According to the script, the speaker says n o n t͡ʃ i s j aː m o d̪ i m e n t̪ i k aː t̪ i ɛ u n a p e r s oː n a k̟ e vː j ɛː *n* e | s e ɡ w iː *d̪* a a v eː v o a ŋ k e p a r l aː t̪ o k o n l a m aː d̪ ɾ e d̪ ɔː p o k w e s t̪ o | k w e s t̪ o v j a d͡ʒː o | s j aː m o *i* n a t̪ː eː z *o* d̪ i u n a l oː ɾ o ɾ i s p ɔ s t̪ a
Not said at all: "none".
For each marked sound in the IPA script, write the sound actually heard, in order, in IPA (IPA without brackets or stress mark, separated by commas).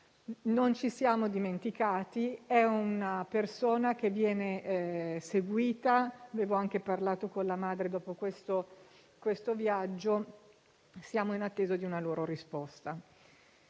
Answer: n, t̪, i, o